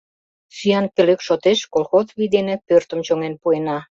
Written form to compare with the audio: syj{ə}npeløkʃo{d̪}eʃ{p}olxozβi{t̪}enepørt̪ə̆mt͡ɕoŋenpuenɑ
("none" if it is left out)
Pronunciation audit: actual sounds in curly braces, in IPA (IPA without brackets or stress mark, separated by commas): ɑ, t̪, k, d̪